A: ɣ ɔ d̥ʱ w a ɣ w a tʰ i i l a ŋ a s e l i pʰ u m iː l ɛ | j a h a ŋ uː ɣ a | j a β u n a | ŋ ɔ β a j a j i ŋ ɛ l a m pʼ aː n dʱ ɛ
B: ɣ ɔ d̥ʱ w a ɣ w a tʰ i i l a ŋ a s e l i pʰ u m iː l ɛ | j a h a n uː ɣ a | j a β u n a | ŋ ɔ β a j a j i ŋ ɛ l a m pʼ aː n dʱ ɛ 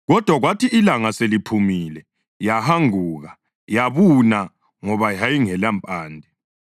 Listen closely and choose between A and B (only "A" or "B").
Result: A